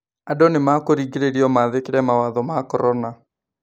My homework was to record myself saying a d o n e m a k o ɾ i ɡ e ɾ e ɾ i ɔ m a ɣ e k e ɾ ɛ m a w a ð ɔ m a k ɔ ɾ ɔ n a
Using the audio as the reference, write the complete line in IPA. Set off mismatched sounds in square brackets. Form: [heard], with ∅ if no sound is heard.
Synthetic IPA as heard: a d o n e m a k o ɾ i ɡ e ɾ e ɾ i ɔ m a [ð] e k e ɾ ɛ m a w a ð ɔ m a k ɔ ɾ ɔ n a